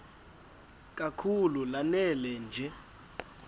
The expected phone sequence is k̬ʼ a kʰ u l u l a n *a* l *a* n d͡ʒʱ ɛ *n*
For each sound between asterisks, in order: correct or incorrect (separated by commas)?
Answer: incorrect, incorrect, incorrect